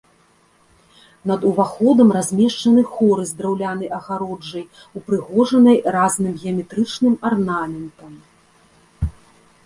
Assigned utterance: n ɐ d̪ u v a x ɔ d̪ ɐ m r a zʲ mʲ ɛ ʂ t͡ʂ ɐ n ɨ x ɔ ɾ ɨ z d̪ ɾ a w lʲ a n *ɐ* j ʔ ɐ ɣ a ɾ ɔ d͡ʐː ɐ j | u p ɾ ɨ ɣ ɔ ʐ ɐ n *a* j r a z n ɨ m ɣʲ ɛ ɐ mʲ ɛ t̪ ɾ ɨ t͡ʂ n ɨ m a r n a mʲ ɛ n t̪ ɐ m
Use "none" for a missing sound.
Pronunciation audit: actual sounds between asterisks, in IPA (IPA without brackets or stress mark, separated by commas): ɐ, ɐ